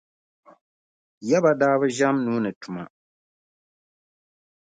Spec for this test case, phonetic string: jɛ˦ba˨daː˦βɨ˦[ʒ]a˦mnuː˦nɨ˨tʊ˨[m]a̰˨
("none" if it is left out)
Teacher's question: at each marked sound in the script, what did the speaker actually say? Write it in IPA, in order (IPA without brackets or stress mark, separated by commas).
ʒ, m